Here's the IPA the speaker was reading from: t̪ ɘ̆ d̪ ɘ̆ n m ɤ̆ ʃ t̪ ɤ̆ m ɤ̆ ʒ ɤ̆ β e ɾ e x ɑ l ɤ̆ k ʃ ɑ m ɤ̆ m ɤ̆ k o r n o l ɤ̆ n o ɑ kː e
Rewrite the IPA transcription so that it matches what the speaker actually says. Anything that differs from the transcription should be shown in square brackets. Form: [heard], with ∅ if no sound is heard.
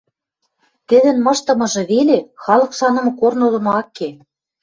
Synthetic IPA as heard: t̪ ɘ̆ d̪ ɘ̆ n m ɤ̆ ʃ t̪ ɤ̆ m ɤ̆ ʒ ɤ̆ β e [l] e x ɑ l ɤ̆ k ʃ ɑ [n] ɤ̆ m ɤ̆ k o r n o l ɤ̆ n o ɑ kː e